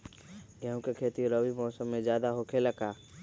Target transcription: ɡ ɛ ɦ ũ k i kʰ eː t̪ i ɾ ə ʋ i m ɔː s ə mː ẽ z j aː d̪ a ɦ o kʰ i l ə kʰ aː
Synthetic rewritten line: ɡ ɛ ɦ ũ k e kʰ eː t̪ i ɾ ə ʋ i m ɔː s ə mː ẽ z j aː d̪ a ɦ o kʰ e l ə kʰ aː